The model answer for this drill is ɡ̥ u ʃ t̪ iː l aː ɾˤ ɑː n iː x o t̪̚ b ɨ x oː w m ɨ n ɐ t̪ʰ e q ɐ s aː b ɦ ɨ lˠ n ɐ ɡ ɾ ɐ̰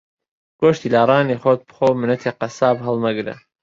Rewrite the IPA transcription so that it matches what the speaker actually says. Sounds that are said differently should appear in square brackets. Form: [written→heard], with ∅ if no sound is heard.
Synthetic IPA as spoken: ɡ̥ [u→o] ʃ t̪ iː l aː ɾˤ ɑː n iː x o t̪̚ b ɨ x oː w m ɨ n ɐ t̪ʰ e q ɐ s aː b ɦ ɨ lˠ n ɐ ɡ ɾ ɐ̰